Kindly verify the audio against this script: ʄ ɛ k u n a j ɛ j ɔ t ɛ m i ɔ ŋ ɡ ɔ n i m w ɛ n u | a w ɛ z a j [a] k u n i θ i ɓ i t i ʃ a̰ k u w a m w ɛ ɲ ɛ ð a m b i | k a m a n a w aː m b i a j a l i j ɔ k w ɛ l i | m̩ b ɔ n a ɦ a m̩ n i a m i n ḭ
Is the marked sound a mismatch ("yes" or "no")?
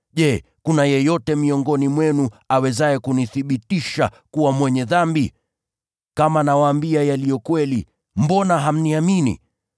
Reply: yes